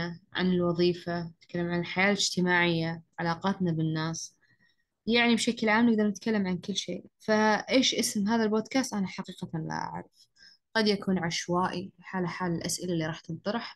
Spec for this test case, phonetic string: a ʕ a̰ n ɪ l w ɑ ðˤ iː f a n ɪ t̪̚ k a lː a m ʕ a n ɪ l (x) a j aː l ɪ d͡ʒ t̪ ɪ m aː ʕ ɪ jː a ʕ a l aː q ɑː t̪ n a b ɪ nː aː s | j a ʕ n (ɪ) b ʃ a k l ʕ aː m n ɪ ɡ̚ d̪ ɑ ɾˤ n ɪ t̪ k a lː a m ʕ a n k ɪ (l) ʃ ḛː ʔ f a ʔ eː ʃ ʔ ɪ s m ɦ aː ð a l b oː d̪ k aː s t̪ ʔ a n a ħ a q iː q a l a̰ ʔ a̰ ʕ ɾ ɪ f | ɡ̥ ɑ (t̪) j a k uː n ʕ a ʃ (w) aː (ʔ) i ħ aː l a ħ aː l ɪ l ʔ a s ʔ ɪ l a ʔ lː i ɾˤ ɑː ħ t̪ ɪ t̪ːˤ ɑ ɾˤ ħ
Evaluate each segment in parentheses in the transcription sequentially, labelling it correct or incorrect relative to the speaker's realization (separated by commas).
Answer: incorrect, incorrect, incorrect, incorrect, correct, correct